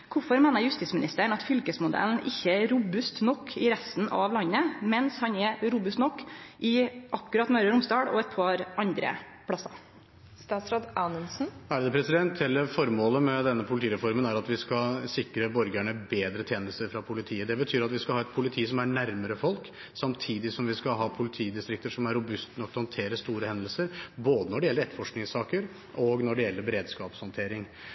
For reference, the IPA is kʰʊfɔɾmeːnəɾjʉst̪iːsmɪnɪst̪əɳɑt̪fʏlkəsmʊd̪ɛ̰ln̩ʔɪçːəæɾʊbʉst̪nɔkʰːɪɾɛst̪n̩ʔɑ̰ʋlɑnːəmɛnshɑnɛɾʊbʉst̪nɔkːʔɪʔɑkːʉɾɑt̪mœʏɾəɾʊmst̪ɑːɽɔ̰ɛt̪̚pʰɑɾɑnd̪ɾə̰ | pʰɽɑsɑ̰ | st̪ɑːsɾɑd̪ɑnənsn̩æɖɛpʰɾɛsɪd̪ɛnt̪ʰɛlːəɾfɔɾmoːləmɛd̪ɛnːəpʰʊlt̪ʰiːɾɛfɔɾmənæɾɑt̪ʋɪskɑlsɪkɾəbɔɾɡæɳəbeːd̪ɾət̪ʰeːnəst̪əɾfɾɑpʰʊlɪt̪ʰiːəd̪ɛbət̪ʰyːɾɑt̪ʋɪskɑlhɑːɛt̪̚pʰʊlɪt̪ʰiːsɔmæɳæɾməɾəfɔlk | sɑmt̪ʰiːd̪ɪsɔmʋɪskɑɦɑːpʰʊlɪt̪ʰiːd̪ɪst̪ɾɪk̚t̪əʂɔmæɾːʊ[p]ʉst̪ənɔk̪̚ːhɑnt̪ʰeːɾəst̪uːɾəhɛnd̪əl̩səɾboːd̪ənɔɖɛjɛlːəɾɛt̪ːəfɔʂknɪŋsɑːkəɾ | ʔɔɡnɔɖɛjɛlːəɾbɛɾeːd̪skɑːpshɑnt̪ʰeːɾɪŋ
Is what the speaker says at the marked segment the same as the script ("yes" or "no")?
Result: no